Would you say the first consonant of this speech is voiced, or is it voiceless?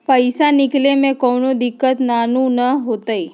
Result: voiceless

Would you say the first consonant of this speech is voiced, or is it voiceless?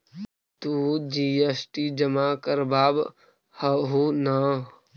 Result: voiceless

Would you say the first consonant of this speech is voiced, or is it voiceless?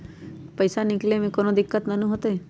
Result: voiceless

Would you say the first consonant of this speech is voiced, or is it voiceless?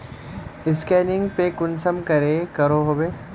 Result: voiceless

